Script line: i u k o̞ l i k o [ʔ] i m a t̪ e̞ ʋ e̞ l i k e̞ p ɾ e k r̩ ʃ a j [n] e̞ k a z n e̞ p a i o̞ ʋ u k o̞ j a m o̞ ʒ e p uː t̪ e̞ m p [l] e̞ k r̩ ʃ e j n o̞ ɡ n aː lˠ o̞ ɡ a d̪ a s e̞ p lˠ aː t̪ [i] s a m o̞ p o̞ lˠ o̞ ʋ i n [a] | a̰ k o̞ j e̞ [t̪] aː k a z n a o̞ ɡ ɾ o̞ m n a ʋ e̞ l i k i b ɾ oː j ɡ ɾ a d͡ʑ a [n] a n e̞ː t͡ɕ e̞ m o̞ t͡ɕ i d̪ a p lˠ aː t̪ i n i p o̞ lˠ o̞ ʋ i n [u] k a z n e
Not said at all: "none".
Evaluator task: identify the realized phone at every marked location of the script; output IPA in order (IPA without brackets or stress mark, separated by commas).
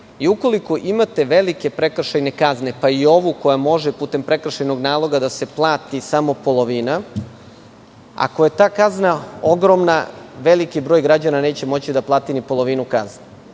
ʔ, n, ɾ, i, a, t̪, n, u